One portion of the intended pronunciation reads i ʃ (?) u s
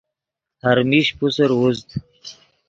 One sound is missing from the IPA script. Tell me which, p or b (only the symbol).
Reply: p